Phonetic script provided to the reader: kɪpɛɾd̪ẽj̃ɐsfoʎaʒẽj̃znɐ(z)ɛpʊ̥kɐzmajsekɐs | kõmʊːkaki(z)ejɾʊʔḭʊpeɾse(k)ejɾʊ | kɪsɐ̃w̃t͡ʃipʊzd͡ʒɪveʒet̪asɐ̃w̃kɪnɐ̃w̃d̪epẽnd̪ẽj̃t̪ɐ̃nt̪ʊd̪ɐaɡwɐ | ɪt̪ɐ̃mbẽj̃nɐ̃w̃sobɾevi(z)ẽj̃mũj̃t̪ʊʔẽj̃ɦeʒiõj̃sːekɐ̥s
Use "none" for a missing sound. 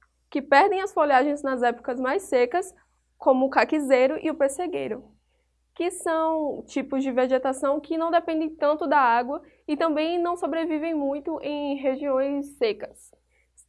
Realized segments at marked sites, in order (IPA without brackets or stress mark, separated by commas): z, z, ɡ, v